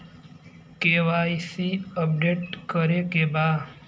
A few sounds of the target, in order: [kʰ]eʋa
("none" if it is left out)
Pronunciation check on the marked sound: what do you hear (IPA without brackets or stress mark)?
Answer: k